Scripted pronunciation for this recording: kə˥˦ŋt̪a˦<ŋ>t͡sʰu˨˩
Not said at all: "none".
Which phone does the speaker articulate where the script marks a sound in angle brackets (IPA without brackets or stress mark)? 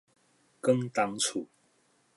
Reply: ŋ